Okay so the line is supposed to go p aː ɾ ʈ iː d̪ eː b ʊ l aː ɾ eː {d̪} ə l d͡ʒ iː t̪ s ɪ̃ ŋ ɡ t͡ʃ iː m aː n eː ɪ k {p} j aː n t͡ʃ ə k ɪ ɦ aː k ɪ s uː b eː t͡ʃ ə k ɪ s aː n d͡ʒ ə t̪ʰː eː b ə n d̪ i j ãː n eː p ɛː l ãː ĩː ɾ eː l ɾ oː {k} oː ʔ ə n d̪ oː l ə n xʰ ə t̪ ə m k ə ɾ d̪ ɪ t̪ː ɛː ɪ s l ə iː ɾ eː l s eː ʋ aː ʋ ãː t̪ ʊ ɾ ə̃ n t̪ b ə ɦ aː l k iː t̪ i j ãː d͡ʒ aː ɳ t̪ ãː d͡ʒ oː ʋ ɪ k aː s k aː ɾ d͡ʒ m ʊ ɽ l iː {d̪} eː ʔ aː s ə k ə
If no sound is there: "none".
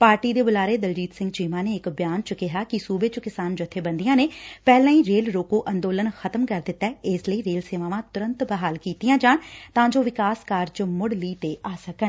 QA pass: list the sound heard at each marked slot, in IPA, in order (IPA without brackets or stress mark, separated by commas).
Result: d̪, b, k, t̪